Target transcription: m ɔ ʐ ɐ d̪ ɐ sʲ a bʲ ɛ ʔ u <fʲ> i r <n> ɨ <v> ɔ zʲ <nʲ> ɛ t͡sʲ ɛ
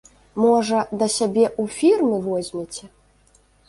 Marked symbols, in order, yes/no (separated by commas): yes, no, yes, no